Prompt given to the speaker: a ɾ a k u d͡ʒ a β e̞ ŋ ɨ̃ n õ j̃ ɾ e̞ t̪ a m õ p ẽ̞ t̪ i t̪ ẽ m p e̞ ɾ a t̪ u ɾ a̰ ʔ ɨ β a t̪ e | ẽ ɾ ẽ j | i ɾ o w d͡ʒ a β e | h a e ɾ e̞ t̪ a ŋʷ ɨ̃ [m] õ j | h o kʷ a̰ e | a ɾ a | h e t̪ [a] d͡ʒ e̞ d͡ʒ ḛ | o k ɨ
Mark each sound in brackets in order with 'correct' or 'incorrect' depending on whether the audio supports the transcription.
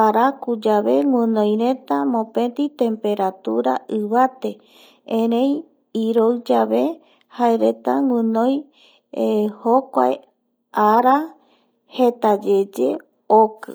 incorrect, correct

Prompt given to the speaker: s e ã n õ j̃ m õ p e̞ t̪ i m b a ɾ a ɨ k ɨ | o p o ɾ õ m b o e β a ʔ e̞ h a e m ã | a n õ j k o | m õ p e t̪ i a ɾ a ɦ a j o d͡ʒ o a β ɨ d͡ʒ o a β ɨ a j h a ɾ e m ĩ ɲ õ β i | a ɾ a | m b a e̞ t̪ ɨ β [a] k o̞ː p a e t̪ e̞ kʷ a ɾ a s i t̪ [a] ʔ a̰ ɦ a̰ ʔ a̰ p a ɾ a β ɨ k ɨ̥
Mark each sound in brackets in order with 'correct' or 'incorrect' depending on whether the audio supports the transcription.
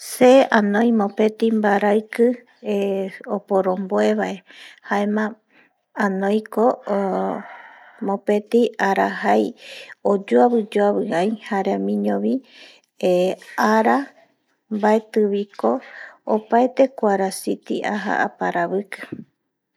incorrect, incorrect

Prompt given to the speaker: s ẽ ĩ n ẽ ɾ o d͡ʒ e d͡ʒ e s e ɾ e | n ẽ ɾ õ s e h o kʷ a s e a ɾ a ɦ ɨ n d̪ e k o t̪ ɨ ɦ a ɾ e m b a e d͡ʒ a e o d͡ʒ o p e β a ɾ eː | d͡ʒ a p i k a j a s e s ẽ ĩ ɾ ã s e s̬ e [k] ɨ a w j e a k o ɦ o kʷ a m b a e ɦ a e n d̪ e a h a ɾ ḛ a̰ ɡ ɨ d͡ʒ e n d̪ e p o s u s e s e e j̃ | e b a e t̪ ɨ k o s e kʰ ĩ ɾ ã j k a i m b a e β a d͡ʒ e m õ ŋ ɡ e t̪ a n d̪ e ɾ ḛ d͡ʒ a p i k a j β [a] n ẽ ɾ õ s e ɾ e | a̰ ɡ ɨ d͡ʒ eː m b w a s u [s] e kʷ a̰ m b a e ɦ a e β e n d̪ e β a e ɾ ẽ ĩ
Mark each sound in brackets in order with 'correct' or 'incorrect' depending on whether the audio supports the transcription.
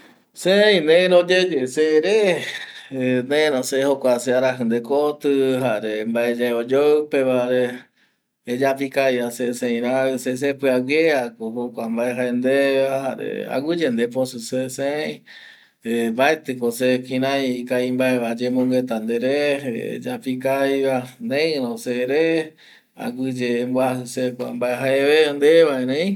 incorrect, correct, correct

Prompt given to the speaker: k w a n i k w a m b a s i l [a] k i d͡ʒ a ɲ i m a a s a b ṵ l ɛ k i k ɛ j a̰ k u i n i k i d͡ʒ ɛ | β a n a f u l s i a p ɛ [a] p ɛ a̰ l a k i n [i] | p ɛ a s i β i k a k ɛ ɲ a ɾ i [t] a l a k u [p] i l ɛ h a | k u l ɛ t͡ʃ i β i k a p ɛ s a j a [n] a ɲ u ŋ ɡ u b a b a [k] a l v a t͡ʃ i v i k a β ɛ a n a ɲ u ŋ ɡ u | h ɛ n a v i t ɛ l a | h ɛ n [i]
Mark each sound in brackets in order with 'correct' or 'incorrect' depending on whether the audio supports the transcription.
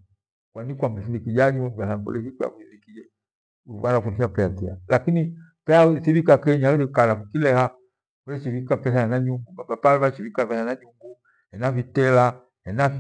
incorrect, correct, correct, incorrect, incorrect, correct, incorrect, incorrect

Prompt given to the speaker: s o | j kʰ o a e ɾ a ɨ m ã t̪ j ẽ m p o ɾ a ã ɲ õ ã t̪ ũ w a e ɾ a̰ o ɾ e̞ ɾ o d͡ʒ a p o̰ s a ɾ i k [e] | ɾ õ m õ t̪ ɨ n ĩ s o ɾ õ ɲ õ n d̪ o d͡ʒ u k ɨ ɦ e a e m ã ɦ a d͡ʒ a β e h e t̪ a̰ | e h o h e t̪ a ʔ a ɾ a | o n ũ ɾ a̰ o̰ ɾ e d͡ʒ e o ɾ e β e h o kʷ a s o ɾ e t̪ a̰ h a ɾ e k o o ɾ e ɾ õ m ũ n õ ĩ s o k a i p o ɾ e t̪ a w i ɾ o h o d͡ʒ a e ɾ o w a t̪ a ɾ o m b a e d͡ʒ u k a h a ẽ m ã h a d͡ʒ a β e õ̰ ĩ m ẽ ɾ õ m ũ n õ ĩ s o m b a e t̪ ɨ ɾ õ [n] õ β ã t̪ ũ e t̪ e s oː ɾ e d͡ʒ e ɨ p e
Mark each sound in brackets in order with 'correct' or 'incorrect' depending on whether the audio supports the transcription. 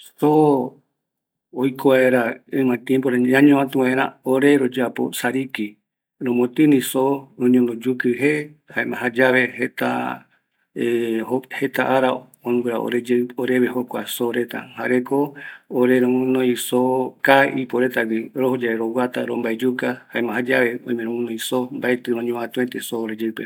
incorrect, incorrect

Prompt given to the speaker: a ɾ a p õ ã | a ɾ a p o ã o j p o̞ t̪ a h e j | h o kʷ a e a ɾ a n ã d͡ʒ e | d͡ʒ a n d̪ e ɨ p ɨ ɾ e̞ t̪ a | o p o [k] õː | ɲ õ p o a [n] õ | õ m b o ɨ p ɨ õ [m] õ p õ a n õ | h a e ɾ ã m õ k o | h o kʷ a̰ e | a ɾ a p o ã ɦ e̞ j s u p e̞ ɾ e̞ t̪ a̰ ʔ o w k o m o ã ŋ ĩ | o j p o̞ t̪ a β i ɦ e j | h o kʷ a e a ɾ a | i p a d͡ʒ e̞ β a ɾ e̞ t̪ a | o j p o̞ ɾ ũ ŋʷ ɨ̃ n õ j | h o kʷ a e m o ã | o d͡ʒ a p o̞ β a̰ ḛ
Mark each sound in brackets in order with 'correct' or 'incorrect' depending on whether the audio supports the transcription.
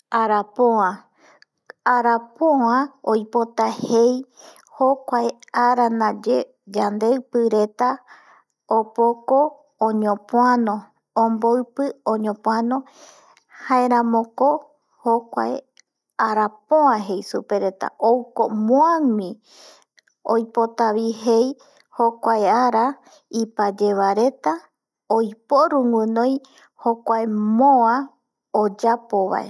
correct, correct, incorrect

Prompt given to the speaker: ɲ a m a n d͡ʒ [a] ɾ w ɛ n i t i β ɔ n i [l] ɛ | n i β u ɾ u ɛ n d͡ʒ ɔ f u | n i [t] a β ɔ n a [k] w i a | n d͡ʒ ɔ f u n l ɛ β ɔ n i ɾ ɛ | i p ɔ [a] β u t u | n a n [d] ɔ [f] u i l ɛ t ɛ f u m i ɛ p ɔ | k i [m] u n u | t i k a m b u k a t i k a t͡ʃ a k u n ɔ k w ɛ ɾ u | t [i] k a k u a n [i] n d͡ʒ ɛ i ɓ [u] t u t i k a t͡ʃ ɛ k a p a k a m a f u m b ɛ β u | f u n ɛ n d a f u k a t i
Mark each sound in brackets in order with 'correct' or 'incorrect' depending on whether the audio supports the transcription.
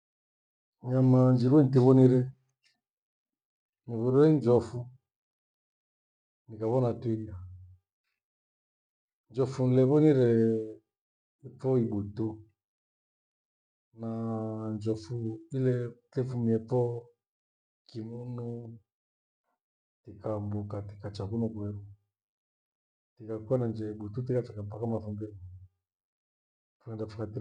incorrect, incorrect, incorrect, incorrect, incorrect, incorrect, correct, correct, correct, incorrect, correct

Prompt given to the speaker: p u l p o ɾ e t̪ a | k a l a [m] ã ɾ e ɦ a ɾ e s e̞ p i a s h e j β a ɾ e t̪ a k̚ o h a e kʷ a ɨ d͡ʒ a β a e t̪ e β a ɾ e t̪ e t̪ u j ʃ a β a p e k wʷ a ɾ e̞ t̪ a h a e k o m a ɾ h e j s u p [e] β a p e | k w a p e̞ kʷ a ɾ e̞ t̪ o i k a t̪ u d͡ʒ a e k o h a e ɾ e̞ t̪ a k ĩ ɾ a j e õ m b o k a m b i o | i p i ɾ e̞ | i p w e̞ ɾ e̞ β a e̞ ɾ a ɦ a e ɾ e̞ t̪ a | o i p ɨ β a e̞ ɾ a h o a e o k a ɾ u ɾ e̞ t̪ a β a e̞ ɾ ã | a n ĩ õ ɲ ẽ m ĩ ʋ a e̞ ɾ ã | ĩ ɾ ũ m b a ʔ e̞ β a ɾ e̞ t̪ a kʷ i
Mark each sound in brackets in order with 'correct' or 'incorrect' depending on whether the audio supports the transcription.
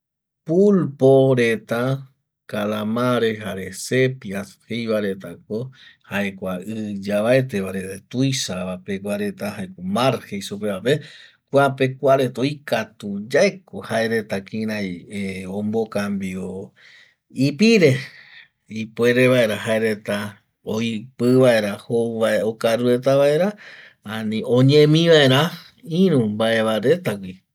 correct, correct

